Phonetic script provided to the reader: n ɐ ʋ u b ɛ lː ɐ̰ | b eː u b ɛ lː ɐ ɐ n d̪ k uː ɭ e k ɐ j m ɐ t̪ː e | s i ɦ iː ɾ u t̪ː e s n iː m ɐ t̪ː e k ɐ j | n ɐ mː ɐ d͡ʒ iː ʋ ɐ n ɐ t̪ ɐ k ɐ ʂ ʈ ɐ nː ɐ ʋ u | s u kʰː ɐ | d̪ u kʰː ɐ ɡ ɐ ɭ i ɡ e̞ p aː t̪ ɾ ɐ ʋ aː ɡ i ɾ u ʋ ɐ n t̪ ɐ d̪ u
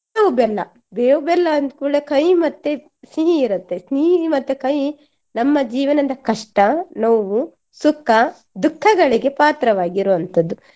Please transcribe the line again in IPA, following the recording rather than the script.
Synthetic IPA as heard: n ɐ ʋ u b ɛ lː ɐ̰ | b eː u b ɛ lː ɐ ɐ n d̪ k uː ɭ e k ɐ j m ɐ t̪ː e | s i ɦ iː ɾ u t̪ː e s n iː m ɐ t̪ː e k ɐ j | n ɐ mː ɐ d͡ʒ iː ʋ ɐ n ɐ d̪ ɐ k ɐ ʂ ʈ ɐ n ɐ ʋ u | s u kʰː ɐ | d̪ u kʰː ɐ ɡ ɐ ɭ i ɡ e̞ p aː t̪ ɾ ɐ ʋ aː ɡ i ɾ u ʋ ɐ n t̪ ɐ d̪ u